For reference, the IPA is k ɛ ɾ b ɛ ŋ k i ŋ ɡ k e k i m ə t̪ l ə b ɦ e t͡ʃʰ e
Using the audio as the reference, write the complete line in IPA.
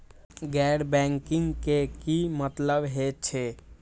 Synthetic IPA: ɡ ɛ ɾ b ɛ ŋ k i ŋ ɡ k e k i m ə t̪ l ə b ɦ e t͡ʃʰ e